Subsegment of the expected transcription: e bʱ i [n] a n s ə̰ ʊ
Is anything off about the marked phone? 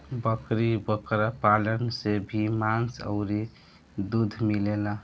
yes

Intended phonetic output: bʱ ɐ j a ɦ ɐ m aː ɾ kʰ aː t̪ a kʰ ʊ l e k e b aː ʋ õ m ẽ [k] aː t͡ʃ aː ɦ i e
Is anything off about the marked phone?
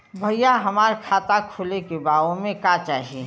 no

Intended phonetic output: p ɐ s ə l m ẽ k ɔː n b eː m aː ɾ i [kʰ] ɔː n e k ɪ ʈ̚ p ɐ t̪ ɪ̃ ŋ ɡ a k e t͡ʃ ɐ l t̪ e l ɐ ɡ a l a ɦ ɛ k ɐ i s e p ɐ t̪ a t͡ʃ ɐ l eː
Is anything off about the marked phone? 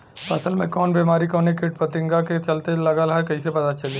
yes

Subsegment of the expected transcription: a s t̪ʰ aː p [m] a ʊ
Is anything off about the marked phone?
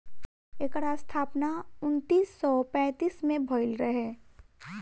yes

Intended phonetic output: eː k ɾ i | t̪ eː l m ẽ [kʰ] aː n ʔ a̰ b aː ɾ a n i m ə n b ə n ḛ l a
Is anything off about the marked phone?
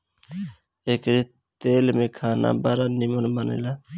no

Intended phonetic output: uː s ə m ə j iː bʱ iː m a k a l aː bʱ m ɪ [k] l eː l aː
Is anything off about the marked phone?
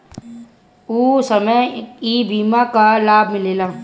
yes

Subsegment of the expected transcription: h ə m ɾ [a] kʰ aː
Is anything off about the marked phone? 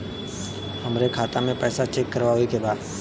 yes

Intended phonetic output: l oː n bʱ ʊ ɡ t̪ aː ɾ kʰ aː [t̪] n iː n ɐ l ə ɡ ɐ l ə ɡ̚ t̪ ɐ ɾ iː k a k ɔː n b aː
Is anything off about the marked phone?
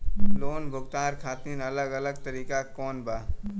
no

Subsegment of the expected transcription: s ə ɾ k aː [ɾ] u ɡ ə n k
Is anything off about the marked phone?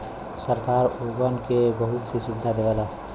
no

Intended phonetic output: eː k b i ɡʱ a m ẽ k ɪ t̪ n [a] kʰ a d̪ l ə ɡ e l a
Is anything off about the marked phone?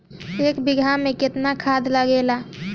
no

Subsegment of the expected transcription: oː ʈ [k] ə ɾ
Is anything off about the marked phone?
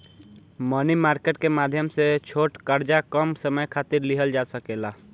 no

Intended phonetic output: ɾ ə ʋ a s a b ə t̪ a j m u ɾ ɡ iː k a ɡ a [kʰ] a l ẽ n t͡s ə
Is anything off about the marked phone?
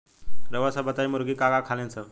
no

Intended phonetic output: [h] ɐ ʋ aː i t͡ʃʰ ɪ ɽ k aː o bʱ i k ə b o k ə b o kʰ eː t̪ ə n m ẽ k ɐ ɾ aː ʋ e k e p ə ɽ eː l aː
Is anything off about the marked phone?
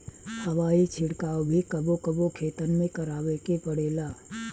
no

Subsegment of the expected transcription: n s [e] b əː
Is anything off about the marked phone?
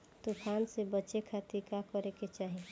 no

